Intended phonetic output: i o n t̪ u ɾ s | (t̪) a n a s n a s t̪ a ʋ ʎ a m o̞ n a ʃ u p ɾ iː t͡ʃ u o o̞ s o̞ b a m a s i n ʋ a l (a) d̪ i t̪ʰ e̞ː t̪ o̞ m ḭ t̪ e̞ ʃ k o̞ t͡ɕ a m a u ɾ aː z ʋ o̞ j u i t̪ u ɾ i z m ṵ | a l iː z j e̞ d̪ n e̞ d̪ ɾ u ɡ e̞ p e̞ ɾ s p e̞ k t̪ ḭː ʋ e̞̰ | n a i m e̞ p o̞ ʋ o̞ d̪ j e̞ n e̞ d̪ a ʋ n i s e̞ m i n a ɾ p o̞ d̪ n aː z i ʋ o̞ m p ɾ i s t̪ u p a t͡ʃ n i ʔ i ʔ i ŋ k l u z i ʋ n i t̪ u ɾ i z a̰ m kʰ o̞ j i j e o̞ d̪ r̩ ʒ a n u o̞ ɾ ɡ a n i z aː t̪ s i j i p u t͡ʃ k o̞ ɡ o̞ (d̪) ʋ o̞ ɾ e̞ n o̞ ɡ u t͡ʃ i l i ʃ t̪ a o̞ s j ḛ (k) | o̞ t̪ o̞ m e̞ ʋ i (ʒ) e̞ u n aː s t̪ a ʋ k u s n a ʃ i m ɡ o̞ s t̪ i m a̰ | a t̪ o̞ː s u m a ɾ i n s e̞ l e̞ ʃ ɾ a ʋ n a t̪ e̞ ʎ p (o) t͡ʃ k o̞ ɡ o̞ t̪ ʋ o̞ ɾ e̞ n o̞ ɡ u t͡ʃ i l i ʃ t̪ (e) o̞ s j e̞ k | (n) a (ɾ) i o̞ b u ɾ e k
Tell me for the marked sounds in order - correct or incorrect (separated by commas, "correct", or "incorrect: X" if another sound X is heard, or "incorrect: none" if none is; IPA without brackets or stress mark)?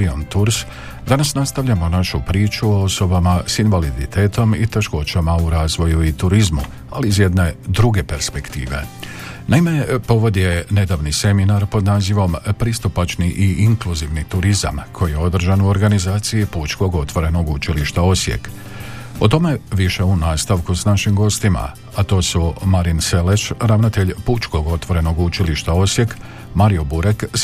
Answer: incorrect: d̪, incorrect: i, incorrect: t̪, correct, incorrect: ʃ, incorrect: u, incorrect: a, incorrect: m, correct